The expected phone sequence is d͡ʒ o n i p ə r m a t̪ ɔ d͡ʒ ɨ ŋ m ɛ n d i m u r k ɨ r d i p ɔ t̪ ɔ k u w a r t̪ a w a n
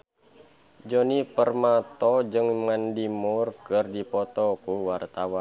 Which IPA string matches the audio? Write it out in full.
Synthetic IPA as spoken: d͡ʒ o n i p ə r m a t̪ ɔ d͡ʒ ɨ ŋ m a n d i m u r k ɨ r d i p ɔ t̪ ɔ k u w a r t̪ a w a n

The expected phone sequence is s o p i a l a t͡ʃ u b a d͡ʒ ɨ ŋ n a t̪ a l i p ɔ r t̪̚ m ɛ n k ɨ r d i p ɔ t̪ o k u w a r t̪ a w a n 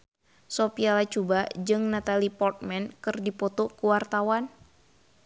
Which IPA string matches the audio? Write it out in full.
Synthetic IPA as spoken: s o p i a l a t͡ʃ u b a d͡ʒ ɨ ŋ n a t̪ a l i p ɔ r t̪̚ m ɛ n k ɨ r d i p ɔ t̪ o k u w a r t̪ a w a n

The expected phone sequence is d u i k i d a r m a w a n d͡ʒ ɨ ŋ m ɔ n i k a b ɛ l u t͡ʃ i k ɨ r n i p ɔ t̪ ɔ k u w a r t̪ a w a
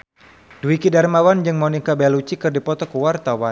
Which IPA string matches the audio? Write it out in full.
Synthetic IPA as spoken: d u i k i d a r m a w a n d͡ʒ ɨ ŋ m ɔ n i k a b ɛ l u t͡ʃ i k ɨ r d i p ɔ t̪ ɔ k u w a r t̪ a w a

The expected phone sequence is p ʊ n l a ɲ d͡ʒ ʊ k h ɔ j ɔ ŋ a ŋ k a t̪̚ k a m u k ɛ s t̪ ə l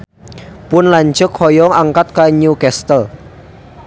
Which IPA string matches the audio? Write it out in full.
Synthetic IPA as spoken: p ʊ n l a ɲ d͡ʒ ʊ k h ɔ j ɔ ŋ a ŋ k a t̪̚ k a ɲ u k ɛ s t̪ ə l

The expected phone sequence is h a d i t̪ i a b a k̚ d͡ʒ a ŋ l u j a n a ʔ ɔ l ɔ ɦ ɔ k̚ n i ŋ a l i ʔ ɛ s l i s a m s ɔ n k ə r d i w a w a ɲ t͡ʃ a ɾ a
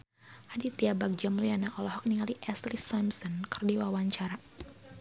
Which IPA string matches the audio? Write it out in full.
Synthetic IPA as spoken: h a d i t̪ i a b a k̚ d͡ʒ a m l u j a n a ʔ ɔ l ɔ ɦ ɔ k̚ n i ŋ a l i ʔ ɛ s l i s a m s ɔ n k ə r d i w a w a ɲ t͡ʃ a ɾ a

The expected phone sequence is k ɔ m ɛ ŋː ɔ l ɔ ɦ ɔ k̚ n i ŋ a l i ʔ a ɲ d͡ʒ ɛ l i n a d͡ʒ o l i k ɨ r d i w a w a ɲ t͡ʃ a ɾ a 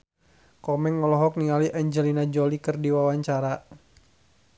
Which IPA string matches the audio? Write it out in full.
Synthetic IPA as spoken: k ɔ m ɛ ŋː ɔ l ɔ ɦ ɔ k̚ n i ŋ a l i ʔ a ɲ d͡ʒ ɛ l i n a d͡ʒ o l i k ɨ r d i w a w a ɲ t͡ʃ a ɾ a

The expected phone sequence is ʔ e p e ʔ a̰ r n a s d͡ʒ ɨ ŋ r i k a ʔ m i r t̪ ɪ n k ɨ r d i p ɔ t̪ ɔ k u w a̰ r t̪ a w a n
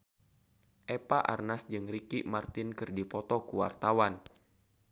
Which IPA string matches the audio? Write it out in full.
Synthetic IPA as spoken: ʔ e p a ʔ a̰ r n a s d͡ʒ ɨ ŋ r i k i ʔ m a r t̪ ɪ n k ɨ r d i p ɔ t̪ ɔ k u w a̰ r t̪ a w a n

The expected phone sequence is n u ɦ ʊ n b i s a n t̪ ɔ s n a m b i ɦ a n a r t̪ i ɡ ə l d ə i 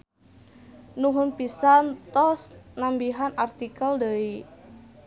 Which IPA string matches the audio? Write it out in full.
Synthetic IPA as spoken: n u ɦ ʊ n p i s a n t̪ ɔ s n a m b i ɦ a n a r t̪ i k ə l d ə i

